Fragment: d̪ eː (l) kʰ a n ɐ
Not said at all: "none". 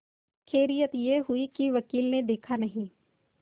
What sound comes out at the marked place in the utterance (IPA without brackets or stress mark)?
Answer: none